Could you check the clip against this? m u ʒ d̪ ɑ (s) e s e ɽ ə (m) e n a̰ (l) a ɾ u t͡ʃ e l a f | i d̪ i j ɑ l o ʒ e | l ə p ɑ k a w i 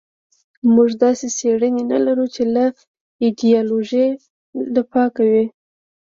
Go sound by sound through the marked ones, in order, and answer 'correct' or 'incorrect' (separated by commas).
correct, incorrect, correct